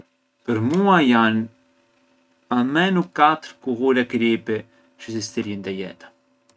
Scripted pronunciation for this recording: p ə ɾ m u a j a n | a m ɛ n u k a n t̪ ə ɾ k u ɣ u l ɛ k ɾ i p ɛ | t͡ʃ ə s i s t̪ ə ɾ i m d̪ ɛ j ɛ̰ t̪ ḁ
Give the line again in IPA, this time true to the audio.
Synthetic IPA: p ə ɾ m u a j a n | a m ɛ n u k a t̪ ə ɾ k u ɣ u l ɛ k ɾ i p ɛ | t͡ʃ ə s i s t̪ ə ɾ i n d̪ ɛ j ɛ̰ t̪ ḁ